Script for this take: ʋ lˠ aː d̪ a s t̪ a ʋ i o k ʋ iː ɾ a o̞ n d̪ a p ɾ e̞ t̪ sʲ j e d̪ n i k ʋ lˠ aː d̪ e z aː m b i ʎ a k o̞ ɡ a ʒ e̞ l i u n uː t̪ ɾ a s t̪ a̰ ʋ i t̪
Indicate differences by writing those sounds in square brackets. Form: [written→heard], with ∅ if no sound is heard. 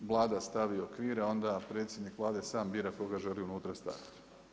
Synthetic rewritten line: ʋ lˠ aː d̪ a s t̪ a ʋ i o k ʋ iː ɾ a o̞ n d̪ a p ɾ e̞ t̪ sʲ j e d̪ n i k ʋ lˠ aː d̪ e [z→s] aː m b i [ʎ→ɾ] a k o̞ ɡ a ʒ e̞ l i u n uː t̪ ɾ a s t̪ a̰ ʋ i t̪